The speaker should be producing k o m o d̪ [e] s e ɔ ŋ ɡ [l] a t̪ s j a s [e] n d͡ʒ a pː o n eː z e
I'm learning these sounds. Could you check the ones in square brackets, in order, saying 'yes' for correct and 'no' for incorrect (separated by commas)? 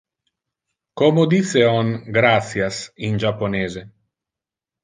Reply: no, no, no